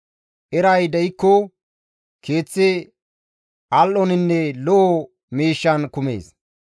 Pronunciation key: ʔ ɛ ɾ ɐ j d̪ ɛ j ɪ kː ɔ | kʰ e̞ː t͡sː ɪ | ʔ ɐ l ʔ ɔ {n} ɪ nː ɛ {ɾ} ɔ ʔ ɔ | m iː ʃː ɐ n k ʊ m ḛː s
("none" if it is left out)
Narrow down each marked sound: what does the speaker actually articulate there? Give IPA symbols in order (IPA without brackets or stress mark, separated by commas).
n, l